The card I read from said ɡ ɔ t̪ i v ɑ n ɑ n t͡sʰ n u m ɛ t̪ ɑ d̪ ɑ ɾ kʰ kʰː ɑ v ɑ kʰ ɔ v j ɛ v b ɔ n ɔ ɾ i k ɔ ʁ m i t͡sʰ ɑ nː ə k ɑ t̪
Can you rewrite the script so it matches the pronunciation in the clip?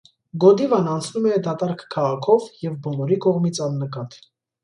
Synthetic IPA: ɡ ɔ d̪ i v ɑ n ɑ n t͡sʰ n u m ɛ d̪ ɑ t̪ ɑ ɾ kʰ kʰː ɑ ʁ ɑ kʰ ɔ v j ɛ v b ɔ n ɔ ɾ i k ɔ ʁ m i t͡sʰ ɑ nː ə k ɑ t̪

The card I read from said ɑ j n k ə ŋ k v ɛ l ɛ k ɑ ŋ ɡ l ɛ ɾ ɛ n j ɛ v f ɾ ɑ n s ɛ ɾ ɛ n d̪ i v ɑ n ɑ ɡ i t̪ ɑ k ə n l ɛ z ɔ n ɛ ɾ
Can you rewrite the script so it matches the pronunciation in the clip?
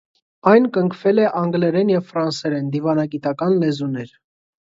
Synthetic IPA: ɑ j n k ə ŋ kʰ v ɛ l ɛ ʔ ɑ ŋ ɡ l ɛ ɾ ɛ n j ɛ v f ɾ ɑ n s ɛ ɾ ɛ n d̪ i v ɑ n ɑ ɡ i t̪ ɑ k ɑ n l ɛ z u n ɛ ɾ

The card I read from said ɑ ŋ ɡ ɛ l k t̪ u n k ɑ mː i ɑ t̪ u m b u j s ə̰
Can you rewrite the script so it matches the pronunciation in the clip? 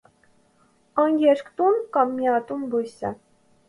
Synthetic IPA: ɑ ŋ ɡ ɛ ɾ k t̪ u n k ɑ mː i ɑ t̪ u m b u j s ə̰

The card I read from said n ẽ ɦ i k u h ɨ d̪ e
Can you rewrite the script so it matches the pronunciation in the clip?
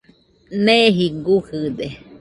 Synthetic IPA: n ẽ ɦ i ɡ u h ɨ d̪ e

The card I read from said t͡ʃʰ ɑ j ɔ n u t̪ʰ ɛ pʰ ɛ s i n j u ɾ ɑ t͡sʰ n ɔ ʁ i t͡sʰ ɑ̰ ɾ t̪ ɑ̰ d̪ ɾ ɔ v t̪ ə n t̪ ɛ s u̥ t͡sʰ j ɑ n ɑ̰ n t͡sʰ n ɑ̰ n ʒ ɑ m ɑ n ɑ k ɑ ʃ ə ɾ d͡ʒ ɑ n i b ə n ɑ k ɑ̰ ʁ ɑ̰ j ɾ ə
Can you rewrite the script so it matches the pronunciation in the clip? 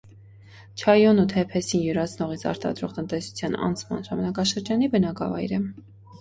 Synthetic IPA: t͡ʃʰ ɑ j ɔ n u t̪ʰ ɛ pʰ ɛ s i n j u ɾ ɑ t͡sʰ n ɔ ʁ i t͡sʰ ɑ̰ ɾ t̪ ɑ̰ d̪ ɾ ɔ ʁ t̪ ə n t̪ ɛ s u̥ t͡sʰ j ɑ n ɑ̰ n t͡sʰ m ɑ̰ n ʒ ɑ m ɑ n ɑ k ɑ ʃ ə ɾ d͡ʒ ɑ n i b ə n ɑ k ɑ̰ v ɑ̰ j ɾ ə

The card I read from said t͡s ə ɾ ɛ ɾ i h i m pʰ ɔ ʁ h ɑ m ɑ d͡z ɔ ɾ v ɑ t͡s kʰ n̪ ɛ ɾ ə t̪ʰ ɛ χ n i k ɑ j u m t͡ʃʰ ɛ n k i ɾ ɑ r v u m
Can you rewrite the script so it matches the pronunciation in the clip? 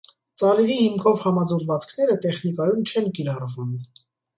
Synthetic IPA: t͡s ɑ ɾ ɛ ɾ i h i m kʰ ɔ v h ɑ m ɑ d͡z ɔ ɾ v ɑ t͡s kʰ n̪ ɛ ɾ ə t̪ ɛ χ n i k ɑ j u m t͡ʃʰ ɛ n k i ɾ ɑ r v u m

